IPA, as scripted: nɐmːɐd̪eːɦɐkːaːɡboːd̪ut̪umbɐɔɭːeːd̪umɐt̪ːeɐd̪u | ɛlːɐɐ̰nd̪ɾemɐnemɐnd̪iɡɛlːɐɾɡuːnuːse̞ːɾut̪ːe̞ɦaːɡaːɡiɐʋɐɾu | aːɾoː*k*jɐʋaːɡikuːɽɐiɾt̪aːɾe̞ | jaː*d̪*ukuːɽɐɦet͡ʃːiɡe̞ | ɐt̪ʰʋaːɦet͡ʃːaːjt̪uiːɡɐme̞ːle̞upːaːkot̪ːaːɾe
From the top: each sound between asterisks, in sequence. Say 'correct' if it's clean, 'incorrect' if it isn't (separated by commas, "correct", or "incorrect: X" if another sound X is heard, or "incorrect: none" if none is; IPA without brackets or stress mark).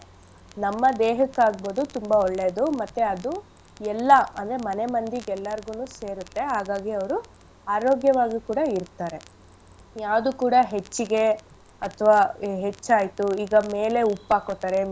incorrect: ɡ, correct